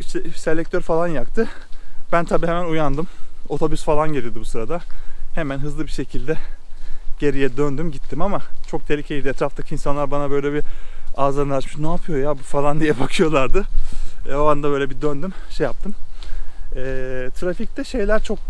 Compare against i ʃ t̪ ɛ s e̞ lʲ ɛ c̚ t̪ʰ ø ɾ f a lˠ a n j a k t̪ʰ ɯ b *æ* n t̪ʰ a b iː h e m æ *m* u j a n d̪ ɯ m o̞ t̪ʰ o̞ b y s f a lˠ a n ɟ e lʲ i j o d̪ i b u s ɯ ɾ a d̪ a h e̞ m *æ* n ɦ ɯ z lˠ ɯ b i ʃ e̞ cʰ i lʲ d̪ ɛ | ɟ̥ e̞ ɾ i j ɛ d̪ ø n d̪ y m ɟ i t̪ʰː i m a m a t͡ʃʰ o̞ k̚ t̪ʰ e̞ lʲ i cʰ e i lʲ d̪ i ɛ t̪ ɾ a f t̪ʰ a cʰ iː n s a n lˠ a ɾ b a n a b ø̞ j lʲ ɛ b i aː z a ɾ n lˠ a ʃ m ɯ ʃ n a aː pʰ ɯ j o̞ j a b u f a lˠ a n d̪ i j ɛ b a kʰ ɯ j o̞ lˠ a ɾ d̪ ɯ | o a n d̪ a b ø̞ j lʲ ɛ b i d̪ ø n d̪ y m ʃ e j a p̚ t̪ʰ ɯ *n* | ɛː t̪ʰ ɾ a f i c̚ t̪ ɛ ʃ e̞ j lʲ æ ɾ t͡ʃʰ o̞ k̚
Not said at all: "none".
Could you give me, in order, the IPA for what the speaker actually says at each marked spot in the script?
æ, n, æ, m

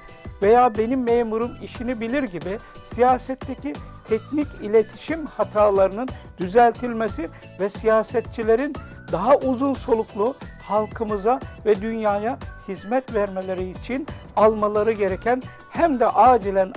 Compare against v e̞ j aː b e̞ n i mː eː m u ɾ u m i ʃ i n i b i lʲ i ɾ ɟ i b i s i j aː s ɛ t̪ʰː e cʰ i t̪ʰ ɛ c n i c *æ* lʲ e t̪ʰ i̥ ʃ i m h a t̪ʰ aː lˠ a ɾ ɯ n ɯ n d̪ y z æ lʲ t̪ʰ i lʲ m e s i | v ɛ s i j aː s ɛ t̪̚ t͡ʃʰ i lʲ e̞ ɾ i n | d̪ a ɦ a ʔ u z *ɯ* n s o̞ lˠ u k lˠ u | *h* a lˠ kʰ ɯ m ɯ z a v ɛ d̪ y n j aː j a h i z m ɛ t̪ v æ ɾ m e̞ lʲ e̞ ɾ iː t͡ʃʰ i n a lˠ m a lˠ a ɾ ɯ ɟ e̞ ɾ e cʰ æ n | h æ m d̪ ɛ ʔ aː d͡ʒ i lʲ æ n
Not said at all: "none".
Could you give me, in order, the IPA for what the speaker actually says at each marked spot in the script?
i, u, h

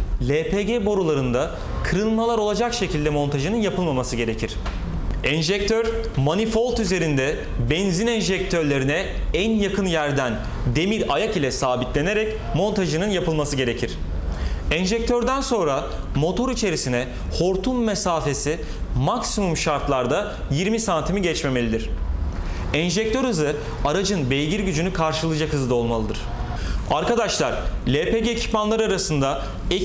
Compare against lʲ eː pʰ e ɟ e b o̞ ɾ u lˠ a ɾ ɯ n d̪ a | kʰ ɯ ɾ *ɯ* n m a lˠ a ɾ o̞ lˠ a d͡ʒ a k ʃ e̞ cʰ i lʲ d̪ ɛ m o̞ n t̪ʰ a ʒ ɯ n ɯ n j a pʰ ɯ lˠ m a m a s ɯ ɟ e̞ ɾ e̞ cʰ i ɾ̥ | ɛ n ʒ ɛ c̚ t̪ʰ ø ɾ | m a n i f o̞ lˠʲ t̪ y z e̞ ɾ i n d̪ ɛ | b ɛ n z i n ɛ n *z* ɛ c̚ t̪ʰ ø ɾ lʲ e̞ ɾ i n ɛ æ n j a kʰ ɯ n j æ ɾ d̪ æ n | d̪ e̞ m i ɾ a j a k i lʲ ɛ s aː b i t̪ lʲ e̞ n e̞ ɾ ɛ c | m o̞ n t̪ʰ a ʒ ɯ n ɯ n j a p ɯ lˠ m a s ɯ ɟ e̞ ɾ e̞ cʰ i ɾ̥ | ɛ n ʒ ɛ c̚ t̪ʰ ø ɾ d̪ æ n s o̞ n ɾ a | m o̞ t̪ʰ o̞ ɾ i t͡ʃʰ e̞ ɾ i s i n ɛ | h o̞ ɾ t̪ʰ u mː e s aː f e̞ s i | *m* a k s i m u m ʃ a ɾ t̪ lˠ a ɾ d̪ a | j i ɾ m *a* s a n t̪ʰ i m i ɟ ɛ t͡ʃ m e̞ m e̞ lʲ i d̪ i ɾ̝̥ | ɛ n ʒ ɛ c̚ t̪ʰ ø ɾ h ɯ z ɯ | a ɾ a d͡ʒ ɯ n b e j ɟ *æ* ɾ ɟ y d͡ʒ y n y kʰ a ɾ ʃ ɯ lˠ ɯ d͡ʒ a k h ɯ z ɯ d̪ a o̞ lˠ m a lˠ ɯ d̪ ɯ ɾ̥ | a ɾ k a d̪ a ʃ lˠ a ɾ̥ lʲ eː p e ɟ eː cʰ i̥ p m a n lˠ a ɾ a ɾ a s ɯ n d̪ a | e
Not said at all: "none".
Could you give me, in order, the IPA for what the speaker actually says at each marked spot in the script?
ɯ, ʒ, m, i, i

